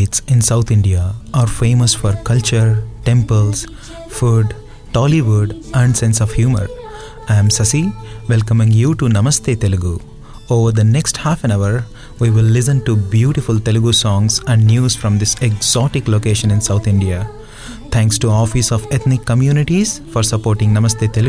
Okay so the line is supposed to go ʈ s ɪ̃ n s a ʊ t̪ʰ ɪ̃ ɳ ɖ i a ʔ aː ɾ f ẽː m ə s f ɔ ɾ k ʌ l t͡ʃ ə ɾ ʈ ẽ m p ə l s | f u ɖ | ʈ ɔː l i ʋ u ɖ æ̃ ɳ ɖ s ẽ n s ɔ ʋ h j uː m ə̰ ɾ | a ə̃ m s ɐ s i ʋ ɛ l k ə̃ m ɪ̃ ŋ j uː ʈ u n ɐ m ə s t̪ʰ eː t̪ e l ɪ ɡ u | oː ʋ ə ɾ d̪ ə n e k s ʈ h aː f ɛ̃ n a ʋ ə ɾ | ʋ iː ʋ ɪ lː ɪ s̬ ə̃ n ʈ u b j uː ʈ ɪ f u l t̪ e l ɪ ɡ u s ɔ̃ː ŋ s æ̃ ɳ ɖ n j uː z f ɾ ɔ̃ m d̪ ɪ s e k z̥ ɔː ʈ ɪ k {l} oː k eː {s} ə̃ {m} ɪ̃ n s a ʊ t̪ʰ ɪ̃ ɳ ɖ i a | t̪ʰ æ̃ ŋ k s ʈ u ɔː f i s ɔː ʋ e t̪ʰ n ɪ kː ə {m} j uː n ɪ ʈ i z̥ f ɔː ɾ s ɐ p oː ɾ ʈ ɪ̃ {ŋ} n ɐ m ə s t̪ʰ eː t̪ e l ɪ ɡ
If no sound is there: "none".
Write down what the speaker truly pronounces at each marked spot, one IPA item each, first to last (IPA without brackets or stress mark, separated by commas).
l, ʃ, n, m, ŋ